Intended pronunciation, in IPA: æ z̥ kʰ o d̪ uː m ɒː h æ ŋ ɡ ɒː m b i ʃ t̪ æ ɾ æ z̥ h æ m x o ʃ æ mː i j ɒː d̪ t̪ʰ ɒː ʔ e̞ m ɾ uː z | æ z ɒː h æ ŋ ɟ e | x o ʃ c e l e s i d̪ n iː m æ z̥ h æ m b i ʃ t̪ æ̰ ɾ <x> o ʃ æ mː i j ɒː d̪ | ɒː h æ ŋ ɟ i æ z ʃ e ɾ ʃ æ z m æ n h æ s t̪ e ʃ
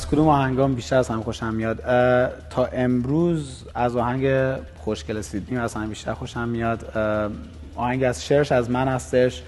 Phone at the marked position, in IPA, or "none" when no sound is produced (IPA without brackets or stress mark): x